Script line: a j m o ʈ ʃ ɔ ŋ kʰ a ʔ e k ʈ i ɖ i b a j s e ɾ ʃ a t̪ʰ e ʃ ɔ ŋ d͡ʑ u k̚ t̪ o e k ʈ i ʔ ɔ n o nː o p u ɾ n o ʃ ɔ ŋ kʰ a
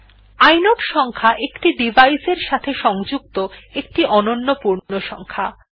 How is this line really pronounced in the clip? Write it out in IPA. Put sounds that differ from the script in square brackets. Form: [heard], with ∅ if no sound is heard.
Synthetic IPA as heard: a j [n] o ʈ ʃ ɔ ŋ kʰ a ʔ e k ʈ i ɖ i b a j s e ɾ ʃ a t̪ʰ e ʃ ɔ ŋ d͡ʑ u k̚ t̪ o e k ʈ i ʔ ɔ n o nː o p u ɾ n o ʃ ɔ ŋ kʰ a